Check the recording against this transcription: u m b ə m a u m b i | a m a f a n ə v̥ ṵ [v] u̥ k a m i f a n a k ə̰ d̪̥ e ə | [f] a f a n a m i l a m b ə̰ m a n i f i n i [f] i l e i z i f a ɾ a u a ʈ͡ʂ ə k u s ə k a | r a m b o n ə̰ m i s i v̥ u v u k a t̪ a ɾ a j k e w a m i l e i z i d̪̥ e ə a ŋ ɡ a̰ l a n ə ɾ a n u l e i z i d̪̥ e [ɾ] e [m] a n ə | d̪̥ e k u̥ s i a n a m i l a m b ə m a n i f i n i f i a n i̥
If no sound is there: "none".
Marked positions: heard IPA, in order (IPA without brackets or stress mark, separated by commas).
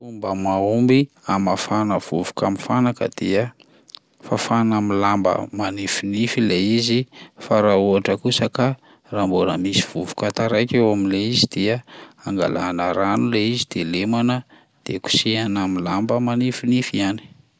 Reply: v, f, f, l, m